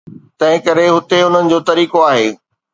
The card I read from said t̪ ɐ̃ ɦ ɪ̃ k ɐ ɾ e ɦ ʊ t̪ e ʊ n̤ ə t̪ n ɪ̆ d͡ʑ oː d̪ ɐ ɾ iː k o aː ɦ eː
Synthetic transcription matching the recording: t̪ ɐ̃ ɦ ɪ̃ k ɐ ɾ e ɦ ʊ t̪ e ʊ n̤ ə n ɪ̆ d͡ʑ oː t̪ ɐ ɾ iː k o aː ɦ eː